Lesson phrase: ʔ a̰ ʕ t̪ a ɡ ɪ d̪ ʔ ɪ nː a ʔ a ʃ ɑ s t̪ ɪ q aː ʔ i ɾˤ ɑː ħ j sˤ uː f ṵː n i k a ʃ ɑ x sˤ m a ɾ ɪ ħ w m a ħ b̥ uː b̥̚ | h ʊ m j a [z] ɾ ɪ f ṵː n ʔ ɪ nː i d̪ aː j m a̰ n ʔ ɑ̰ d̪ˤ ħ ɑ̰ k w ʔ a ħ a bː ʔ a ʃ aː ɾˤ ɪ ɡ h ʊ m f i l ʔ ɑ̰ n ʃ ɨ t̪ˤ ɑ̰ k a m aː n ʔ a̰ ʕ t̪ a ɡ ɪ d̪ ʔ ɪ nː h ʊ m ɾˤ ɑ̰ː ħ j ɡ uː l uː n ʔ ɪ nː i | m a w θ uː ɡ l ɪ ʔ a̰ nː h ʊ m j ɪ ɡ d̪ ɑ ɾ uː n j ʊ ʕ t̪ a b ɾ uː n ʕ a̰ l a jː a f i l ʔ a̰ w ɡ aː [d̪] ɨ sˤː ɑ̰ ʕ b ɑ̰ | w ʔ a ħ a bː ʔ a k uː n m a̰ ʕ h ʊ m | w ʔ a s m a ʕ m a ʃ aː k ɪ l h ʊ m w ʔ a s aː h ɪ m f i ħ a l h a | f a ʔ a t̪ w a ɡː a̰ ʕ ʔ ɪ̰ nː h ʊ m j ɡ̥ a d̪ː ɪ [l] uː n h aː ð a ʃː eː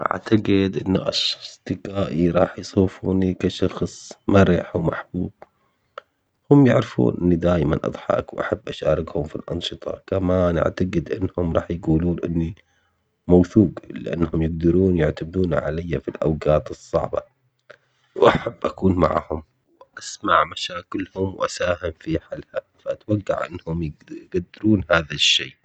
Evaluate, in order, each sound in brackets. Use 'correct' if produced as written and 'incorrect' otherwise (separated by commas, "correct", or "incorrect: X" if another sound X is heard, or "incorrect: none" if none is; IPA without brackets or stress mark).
incorrect: ʕ, incorrect: t̪, incorrect: ɾ